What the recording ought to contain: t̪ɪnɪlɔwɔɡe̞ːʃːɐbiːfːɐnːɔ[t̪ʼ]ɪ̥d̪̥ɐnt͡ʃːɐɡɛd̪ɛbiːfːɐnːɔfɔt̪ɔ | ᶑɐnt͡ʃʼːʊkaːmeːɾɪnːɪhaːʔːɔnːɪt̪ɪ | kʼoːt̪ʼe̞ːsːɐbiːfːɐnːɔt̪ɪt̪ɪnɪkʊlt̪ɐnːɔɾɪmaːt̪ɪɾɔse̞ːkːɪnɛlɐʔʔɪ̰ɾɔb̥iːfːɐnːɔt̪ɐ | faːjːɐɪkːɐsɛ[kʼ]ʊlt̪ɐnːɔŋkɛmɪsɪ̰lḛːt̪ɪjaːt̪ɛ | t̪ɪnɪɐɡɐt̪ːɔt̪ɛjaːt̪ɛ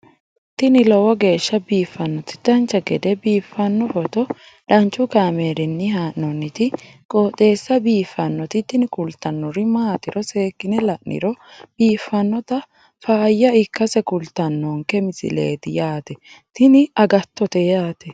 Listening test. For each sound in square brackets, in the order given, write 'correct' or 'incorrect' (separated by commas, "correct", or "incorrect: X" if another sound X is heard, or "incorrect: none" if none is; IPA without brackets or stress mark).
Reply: incorrect: t̪, incorrect: k